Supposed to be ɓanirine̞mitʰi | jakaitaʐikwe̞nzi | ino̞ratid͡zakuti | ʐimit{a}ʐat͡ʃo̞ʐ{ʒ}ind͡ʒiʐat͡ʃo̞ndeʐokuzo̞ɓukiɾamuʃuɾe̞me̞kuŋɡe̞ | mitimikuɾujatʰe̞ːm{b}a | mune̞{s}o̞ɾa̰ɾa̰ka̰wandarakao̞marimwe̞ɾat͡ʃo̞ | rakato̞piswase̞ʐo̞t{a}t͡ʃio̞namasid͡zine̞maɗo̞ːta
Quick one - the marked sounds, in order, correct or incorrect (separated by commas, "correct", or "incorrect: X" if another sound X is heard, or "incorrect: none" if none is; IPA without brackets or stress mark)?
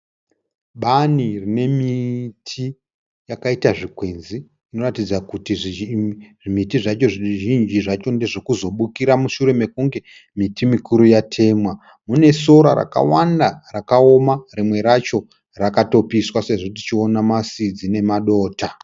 incorrect: i, correct, incorrect: w, correct, incorrect: i